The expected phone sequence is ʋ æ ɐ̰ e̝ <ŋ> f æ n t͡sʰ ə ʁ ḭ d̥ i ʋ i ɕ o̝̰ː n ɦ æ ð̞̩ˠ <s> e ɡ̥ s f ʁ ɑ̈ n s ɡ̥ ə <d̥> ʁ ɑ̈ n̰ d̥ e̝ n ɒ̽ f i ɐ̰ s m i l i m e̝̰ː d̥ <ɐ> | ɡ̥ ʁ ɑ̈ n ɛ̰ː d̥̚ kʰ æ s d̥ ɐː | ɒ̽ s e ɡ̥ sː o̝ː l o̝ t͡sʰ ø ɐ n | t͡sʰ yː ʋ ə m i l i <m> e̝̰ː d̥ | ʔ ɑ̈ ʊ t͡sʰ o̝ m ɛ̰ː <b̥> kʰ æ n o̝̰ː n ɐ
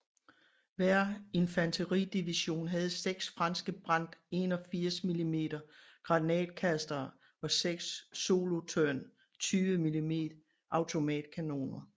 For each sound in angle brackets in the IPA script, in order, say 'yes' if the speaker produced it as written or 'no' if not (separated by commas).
no, yes, no, yes, yes, no